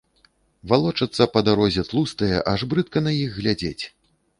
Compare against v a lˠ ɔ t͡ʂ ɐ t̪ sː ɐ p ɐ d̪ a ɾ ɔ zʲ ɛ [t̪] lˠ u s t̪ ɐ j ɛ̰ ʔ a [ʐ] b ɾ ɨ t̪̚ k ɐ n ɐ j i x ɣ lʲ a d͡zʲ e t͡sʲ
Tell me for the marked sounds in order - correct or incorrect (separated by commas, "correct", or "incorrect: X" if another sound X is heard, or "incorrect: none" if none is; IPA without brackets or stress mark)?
correct, correct